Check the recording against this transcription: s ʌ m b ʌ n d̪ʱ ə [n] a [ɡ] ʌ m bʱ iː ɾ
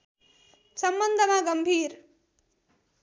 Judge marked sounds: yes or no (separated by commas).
no, yes